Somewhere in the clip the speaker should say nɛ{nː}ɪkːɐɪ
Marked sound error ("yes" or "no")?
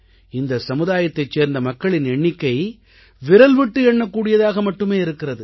yes